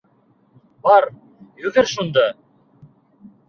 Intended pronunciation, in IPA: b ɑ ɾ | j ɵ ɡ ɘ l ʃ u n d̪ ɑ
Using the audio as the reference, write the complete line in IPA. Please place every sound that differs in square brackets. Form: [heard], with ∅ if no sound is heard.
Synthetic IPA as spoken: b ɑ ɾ | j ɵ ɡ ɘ [ɾ] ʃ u n d̪ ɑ